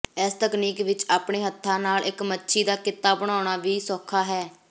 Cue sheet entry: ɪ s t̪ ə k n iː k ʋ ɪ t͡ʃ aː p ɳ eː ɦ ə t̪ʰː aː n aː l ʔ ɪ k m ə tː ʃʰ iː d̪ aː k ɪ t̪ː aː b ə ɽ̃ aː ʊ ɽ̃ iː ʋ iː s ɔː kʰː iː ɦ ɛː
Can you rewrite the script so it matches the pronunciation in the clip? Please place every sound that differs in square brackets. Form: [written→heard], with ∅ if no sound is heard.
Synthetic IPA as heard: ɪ s t̪ ə k n iː k ʋ ɪ t͡ʃ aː p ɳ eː ɦ ə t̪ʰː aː n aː l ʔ ɪ k m ə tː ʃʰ iː d̪ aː k ɪ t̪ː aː b ə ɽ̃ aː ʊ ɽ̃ [iː→aː] ʋ iː s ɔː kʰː [iː→aː] ɦ ɛː